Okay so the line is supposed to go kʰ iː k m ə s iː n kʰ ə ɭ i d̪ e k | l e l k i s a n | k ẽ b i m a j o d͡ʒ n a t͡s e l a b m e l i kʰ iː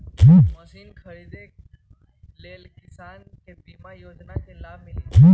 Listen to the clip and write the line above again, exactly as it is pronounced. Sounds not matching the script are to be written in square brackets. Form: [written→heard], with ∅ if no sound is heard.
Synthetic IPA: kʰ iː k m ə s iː n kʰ ə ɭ i d̪ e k | l e l k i s a n | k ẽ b i m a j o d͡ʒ n a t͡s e l a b m [e→i] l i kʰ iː